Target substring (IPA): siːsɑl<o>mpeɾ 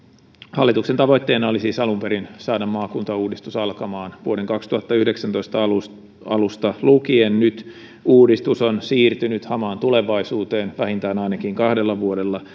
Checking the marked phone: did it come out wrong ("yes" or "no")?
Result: yes